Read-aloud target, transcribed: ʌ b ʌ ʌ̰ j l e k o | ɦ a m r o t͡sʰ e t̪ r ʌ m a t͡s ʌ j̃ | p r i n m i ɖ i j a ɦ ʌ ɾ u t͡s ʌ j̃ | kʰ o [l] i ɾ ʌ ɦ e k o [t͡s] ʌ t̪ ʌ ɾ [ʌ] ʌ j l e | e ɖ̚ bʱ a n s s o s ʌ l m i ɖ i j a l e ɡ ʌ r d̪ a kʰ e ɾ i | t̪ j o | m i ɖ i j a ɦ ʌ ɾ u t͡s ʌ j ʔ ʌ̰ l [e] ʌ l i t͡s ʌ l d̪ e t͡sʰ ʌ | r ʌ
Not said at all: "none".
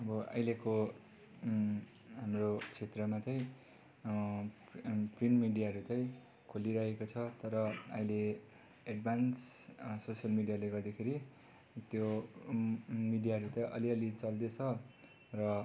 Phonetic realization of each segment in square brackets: l, t͡sʰ, ʌ, i

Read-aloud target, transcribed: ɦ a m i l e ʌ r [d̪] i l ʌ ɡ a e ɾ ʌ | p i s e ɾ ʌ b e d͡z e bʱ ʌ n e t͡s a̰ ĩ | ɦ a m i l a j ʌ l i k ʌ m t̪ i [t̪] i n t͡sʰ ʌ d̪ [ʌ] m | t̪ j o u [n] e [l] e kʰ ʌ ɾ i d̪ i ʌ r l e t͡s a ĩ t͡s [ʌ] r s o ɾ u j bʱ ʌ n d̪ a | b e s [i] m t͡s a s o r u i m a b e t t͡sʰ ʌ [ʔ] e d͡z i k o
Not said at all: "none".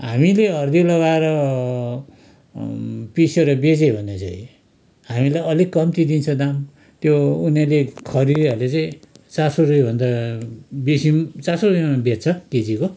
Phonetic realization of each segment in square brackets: d̪, d̪, a, n, l, a, i, k

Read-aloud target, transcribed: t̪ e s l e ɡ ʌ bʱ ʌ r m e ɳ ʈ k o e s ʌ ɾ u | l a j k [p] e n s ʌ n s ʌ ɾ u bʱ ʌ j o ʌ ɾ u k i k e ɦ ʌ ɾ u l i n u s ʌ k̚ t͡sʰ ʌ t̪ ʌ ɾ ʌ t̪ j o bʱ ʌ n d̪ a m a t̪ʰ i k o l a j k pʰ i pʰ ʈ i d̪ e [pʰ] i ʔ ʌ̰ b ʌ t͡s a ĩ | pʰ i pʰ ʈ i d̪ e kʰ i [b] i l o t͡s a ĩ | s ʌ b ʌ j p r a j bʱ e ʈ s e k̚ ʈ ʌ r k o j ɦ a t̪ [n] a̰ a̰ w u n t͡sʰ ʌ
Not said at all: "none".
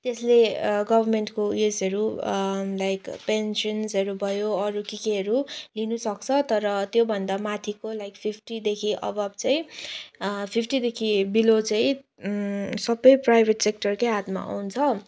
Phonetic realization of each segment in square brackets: p, kʰ, b, m

